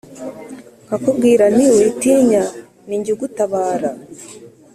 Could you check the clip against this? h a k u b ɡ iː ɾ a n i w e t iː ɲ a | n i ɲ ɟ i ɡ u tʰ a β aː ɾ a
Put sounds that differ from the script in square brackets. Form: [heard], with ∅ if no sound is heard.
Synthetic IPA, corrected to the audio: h a k u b ɡ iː ɾ a n i w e t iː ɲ a | n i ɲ ɟ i ɡ u [t] a β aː ɾ a